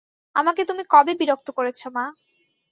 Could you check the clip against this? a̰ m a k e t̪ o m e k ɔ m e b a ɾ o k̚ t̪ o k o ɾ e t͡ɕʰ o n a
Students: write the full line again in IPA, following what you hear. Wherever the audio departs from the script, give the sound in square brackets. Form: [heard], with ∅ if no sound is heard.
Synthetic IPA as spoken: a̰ m a k e t̪ [u] m [i] k ɔ [b] e b [i] ɾ o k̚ t̪ o k o ɾ e t͡ɕʰ o [m] a